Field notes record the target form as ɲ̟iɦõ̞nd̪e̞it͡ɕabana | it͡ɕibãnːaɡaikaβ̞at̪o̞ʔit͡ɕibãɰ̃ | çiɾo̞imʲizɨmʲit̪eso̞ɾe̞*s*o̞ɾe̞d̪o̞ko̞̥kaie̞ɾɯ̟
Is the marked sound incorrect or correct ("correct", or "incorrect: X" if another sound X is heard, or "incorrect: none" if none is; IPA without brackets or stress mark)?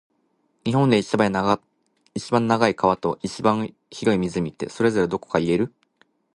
incorrect: z